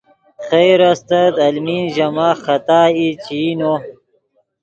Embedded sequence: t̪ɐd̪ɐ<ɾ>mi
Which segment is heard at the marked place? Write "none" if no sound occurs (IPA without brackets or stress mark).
l